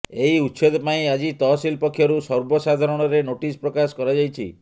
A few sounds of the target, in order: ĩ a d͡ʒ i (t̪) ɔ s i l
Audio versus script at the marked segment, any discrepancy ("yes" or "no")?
no